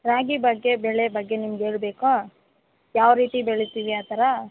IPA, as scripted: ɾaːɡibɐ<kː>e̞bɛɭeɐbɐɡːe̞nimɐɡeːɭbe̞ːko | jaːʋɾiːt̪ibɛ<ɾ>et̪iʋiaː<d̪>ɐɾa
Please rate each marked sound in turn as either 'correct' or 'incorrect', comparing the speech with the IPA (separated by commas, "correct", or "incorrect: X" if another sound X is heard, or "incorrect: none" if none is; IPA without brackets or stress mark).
incorrect: ɡː, incorrect: ɭ, incorrect: t̪